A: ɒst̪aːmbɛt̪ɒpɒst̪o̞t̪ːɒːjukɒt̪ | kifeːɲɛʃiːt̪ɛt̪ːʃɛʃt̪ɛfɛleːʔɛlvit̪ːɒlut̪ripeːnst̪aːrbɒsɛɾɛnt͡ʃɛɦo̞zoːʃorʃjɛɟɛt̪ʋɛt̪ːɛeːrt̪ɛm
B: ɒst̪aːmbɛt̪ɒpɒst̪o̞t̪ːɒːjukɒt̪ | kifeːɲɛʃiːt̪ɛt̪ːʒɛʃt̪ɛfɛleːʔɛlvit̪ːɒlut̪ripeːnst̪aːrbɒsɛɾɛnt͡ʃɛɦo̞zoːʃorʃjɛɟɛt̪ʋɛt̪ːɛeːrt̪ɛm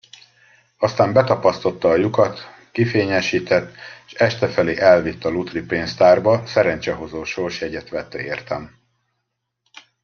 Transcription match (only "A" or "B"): A